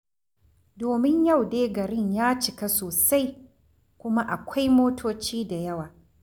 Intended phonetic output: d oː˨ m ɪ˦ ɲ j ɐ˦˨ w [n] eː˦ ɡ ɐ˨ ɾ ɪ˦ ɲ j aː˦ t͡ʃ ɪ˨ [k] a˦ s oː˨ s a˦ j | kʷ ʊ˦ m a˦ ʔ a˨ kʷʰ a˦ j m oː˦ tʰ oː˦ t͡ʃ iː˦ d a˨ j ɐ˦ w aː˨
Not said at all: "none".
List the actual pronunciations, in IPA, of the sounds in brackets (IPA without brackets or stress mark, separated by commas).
d, k